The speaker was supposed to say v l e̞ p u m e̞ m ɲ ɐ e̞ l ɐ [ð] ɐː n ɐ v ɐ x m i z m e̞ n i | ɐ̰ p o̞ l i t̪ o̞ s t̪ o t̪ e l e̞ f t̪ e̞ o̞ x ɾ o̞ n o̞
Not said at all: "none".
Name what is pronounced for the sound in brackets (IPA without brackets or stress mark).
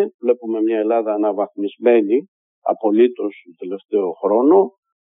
ð